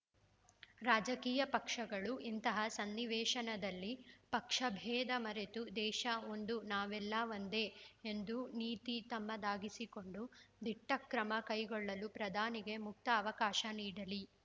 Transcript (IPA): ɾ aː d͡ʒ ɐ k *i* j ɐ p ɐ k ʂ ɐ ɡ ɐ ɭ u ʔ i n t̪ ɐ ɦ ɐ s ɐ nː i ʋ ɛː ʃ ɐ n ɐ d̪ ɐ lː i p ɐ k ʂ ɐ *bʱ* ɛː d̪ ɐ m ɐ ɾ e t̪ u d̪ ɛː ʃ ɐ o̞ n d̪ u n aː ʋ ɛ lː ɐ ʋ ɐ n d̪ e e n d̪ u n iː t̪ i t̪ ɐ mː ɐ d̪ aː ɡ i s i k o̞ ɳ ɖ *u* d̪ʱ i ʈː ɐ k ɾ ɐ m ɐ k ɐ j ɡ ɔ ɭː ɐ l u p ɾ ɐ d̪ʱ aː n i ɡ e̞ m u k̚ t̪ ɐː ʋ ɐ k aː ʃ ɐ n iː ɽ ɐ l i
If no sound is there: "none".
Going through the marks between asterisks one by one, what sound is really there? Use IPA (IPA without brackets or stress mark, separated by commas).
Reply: iː, bʱ, u